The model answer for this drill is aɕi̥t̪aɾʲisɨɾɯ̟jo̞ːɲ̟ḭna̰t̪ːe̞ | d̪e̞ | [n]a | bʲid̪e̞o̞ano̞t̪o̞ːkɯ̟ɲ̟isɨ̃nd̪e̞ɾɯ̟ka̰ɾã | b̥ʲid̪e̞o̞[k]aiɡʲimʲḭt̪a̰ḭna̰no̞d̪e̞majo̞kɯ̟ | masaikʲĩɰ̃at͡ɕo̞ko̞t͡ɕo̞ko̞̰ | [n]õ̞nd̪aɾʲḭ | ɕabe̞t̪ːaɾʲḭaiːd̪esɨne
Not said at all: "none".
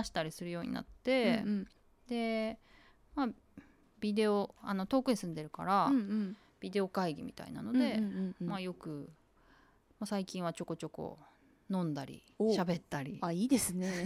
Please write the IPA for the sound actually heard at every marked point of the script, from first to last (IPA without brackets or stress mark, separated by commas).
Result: m, k, n